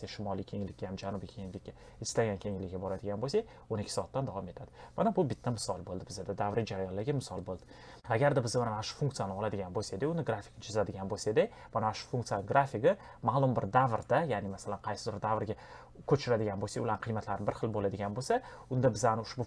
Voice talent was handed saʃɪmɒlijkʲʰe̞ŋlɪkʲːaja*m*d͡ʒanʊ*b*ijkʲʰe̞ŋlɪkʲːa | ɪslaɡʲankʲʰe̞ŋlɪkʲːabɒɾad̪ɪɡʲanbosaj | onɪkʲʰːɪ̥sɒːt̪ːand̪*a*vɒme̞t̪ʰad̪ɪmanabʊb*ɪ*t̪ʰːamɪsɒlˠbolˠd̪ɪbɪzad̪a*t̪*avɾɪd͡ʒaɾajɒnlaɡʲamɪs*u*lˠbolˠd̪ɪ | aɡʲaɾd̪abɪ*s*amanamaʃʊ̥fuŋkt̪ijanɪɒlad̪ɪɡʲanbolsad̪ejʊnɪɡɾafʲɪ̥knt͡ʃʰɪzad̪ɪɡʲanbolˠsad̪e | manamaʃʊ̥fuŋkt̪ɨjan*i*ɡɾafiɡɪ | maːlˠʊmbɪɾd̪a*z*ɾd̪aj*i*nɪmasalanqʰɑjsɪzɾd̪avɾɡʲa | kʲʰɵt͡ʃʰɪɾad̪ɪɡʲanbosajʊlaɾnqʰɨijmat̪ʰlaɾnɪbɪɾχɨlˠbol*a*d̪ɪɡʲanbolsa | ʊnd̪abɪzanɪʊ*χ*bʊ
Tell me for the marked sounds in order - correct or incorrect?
correct, correct, correct, correct, incorrect: d̪, incorrect: ɒ, incorrect: z, incorrect: ɪ, incorrect: v, incorrect: a, correct, incorrect: ʃ

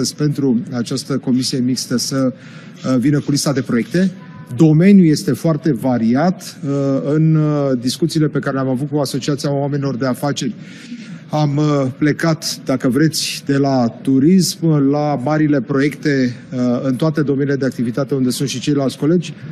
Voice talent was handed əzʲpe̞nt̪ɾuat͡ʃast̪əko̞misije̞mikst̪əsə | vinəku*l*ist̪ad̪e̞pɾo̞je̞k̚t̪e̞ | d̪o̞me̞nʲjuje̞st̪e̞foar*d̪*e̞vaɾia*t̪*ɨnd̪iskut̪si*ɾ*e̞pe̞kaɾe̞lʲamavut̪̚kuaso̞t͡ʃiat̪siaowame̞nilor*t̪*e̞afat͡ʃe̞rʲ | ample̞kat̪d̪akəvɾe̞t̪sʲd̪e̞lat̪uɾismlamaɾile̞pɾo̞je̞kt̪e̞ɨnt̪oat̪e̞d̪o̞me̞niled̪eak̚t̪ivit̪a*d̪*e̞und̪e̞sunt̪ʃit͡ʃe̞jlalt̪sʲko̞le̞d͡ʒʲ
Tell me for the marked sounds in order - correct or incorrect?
correct, incorrect: t̪, correct, incorrect: l, incorrect: d̪, incorrect: t̪

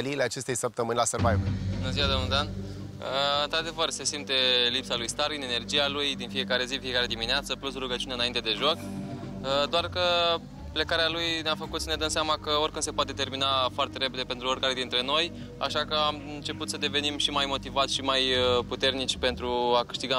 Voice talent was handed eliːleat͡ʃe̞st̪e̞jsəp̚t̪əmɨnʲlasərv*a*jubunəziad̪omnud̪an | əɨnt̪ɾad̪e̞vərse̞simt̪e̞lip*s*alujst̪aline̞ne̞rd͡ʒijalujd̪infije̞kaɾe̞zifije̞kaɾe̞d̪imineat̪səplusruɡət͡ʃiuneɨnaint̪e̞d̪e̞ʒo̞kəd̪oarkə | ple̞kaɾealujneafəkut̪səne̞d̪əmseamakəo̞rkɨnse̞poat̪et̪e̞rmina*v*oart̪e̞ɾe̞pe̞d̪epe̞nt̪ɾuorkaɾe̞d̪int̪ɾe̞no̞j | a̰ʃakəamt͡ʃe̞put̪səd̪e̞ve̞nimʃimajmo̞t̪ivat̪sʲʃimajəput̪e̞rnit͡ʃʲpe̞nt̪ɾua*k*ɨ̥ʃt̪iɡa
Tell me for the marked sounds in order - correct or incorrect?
correct, correct, incorrect: f, correct

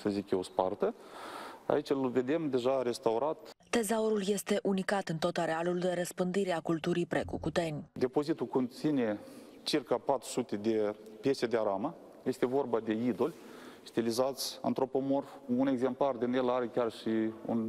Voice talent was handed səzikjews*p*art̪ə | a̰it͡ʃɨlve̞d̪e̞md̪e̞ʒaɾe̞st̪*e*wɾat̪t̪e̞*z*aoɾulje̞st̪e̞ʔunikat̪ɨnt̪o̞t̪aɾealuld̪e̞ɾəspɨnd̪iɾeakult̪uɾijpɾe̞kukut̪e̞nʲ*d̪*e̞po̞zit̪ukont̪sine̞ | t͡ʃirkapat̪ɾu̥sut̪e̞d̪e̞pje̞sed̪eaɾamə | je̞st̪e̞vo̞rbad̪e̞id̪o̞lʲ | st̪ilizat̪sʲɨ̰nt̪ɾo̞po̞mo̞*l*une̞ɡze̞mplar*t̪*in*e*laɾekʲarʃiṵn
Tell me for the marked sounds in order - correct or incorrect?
correct, incorrect: a, correct, correct, incorrect: r, incorrect: d̪, correct

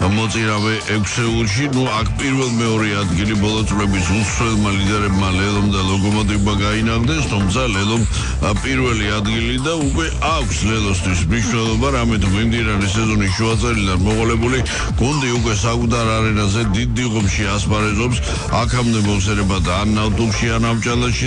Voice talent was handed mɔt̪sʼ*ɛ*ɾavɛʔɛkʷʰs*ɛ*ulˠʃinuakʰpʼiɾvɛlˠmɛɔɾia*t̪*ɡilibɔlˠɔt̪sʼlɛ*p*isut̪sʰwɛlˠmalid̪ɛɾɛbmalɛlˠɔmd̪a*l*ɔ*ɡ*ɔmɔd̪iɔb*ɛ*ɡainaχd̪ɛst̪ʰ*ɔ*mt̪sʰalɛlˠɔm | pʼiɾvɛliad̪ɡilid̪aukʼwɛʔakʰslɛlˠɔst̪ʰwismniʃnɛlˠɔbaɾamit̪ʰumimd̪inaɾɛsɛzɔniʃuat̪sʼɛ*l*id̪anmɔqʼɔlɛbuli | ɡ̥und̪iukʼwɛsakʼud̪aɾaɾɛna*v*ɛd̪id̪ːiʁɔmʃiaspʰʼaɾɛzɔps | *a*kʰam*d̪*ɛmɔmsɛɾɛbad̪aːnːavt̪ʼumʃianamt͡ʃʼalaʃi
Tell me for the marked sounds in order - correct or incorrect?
incorrect: i, correct, incorrect: d̪, incorrect: b, correct, correct, incorrect: a, incorrect: u, incorrect: ɾ, incorrect: z, correct, correct

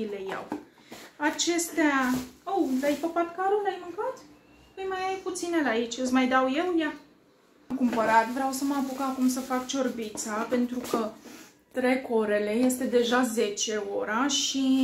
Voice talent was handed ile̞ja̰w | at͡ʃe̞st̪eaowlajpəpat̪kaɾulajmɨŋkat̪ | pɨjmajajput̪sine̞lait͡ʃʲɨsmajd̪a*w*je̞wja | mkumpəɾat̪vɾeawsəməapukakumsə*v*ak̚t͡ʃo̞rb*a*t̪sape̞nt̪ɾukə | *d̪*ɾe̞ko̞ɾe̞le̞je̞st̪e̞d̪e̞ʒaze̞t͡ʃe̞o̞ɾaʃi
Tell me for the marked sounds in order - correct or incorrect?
correct, incorrect: f, incorrect: i, incorrect: t̪

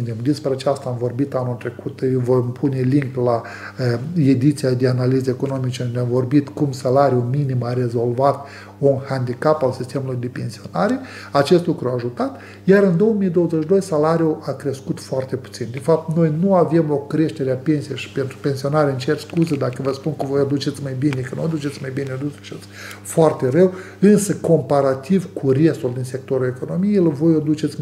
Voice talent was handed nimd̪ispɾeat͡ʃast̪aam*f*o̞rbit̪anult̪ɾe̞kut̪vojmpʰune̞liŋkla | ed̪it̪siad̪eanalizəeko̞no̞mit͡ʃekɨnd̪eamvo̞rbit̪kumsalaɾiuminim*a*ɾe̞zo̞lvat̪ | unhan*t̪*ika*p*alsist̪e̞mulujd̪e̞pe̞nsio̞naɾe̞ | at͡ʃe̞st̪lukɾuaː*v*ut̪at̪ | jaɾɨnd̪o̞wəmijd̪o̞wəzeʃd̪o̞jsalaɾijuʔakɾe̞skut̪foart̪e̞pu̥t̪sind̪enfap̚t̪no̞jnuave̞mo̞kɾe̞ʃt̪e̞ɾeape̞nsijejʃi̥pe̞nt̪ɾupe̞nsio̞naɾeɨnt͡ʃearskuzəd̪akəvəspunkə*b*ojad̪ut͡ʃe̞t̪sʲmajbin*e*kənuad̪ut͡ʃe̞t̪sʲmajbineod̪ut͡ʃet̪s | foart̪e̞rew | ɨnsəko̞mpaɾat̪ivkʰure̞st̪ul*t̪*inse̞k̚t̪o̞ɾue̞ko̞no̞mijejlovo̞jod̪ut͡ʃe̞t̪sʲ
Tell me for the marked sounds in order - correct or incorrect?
incorrect: v, correct, incorrect: d̪, correct, incorrect: ʒ, incorrect: v, correct, incorrect: d̪

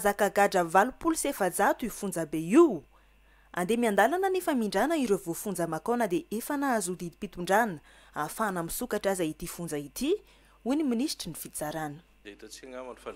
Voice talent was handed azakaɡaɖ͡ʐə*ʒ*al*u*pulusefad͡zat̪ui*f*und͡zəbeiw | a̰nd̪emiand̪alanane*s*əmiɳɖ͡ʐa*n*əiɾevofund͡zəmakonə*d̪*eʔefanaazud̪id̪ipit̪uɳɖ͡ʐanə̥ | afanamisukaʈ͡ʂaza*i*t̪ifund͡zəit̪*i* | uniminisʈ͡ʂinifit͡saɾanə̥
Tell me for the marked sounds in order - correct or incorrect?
incorrect: v, correct, correct, incorrect: f, correct, correct, correct, correct

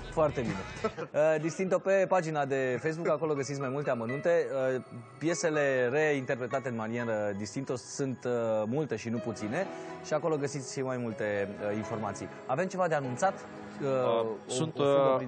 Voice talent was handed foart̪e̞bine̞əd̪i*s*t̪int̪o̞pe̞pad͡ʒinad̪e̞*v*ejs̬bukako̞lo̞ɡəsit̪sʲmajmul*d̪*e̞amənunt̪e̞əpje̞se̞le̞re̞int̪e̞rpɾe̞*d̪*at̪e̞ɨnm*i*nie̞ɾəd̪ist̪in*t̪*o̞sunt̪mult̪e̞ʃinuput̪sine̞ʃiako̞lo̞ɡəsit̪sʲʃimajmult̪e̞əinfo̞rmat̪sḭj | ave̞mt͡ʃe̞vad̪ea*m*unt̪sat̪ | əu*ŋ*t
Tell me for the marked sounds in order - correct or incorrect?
correct, incorrect: f, incorrect: t̪, incorrect: t̪, incorrect: a, correct, incorrect: n, incorrect: n

